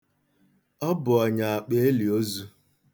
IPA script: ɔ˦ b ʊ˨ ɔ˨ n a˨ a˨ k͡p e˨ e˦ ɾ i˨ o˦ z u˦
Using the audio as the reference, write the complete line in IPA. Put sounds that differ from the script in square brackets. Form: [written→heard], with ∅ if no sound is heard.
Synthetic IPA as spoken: ɔ˦ b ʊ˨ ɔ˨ [n→ɲ] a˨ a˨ k͡p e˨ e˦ [ɾ→l] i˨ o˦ z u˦